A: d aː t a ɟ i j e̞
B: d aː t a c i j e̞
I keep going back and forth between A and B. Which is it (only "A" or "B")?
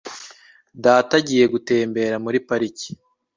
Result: A